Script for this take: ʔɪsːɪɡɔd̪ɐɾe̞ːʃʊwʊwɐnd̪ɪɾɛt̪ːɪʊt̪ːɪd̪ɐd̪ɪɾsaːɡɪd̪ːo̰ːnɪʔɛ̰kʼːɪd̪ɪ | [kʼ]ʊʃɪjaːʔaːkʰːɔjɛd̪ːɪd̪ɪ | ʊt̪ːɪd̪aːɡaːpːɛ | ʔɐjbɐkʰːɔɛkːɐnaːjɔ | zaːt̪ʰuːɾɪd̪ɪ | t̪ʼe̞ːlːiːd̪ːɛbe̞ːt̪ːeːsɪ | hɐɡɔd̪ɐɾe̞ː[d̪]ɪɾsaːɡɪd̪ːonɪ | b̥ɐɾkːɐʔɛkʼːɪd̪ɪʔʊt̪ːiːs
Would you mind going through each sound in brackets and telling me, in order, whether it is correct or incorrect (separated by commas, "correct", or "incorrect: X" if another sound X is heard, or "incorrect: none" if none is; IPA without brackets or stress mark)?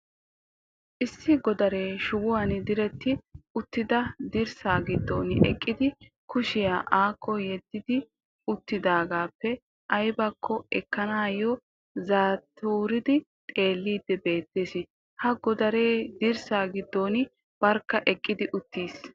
incorrect: k, correct